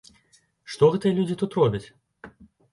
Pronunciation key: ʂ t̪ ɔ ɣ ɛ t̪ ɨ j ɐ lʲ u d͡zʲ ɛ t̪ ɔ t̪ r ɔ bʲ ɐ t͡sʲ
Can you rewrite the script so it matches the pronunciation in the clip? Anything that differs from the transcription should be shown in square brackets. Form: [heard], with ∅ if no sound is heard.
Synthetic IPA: ʂ t̪ ɔ ɣ ɛ t̪ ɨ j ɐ lʲ u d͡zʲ [i] t̪ [u] t̪ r ɔ bʲ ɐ t͡sʲ